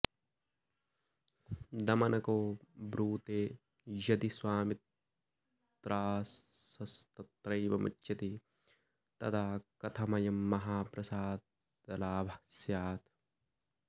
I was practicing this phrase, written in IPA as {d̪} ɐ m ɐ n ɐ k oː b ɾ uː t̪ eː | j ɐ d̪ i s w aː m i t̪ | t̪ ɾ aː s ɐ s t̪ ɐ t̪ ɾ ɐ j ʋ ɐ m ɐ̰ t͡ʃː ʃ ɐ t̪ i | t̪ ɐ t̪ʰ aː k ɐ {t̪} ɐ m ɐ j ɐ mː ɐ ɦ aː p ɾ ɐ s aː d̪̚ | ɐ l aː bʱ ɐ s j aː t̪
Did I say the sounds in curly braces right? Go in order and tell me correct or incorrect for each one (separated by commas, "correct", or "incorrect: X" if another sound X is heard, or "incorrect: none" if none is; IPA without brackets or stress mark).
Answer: correct, incorrect: t̪ʰ